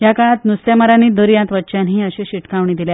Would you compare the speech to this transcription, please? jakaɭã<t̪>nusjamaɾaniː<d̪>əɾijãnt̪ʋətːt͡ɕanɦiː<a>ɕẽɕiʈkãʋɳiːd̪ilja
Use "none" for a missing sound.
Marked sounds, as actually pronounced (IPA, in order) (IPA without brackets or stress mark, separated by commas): t̪, d̪, ə